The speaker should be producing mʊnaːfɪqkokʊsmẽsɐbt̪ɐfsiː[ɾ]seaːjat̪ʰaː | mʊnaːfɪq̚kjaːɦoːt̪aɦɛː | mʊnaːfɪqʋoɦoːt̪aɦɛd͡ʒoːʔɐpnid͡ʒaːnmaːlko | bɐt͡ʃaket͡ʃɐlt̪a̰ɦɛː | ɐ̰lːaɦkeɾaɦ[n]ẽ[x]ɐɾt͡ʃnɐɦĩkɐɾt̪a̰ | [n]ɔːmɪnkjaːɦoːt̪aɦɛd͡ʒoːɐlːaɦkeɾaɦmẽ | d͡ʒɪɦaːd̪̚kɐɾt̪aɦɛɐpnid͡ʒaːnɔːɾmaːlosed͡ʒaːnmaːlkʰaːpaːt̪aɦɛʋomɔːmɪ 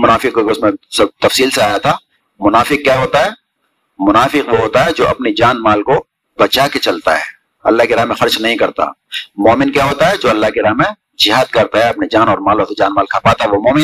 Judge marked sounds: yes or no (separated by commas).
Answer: no, no, yes, no